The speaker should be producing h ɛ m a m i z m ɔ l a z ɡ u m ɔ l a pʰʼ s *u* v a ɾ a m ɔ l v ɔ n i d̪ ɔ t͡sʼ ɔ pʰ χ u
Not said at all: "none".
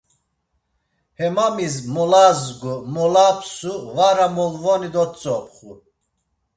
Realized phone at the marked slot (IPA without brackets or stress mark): u